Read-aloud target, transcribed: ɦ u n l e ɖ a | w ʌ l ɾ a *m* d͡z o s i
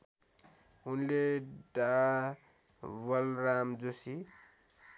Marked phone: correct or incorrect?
correct